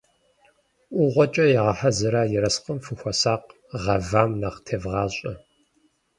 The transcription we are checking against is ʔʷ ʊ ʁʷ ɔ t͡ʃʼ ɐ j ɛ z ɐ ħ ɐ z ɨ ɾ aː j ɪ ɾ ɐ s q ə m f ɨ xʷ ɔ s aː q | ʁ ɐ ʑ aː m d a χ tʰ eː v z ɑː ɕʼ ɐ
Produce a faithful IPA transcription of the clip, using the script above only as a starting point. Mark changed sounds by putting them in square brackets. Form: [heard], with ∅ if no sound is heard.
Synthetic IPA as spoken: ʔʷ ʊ ʁʷ ɔ t͡ʃʼ ɐ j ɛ [ʁ] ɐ ħ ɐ z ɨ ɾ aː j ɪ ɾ ɐ s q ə m f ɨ xʷ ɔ s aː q | ʁ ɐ [v] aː m [n] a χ tʰ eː v [ʁ] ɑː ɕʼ ɐ